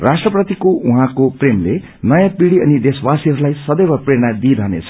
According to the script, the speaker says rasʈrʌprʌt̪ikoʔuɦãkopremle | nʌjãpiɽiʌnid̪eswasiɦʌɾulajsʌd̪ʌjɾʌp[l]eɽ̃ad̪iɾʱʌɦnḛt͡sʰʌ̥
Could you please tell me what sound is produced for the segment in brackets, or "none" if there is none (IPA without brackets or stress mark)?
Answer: r